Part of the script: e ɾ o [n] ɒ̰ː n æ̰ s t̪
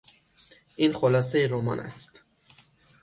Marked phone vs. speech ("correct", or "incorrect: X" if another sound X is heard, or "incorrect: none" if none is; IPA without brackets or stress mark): incorrect: m